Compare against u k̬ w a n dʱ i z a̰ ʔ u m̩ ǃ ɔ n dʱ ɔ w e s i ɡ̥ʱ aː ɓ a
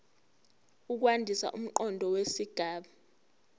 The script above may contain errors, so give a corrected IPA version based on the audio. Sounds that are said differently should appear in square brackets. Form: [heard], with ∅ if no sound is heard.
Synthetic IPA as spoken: u k̬ w a n dʱ i [s] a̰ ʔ u m̩ ǃ ɔ n dʱ ɔ w e s i ɡ̥ʱ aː ɓ a